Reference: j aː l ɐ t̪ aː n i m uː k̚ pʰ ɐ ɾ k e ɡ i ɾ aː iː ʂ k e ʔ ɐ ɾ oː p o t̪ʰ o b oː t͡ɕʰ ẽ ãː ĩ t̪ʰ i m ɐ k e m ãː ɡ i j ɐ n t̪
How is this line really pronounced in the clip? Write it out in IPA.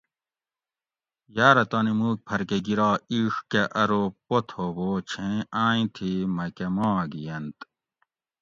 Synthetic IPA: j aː ɾ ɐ t̪ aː n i m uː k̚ pʰ ɐ ɾ k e ɡ i ɾ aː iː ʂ k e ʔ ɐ ɾ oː p o t̪ʰ o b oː t͡ɕʰ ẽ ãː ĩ t̪ʰ i m ɐ k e m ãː ɡ i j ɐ n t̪